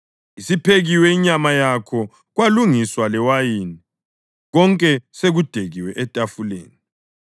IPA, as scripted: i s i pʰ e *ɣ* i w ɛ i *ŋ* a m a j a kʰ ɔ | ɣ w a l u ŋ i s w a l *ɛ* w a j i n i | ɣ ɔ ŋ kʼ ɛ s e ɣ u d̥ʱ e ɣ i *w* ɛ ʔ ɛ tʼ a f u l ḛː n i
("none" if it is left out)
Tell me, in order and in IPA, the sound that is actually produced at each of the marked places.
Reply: ɣ, ɲ, ɛ, w

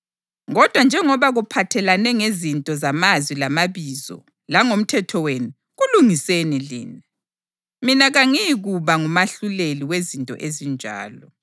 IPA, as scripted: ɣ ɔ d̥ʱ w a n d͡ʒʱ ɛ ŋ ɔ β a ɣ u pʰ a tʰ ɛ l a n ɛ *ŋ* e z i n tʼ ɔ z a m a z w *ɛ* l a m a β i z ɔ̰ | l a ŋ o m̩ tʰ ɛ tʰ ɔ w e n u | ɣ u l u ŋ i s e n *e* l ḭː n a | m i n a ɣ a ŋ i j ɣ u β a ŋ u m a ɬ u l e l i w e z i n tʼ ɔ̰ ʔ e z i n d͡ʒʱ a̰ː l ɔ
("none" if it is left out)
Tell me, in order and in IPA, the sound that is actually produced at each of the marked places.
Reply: ŋ, i, i

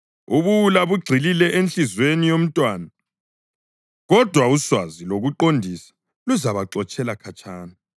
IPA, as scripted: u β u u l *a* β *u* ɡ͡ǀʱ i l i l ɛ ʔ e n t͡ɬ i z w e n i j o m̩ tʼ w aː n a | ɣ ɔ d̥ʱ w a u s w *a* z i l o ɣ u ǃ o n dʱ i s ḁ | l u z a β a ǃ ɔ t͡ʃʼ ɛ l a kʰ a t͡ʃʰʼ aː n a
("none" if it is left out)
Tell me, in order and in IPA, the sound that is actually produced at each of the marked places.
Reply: a, u, a

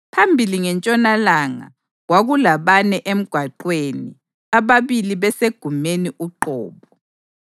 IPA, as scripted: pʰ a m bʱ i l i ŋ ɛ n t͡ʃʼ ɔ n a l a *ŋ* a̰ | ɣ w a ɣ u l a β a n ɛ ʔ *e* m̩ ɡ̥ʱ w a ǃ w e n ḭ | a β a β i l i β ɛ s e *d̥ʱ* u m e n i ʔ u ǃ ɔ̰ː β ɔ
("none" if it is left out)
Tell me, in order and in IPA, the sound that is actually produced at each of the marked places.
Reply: ŋ, e, ɡ̥ʱ

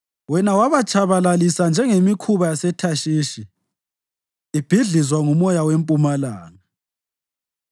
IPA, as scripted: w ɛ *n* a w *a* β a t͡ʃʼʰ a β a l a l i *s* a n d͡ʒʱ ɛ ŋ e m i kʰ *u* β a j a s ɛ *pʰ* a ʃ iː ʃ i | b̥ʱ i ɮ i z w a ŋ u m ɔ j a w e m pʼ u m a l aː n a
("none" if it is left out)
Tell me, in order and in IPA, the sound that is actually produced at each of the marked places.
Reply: n, a, s, u, tʰ

